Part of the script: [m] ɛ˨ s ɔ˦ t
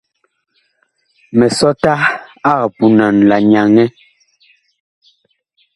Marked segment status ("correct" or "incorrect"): correct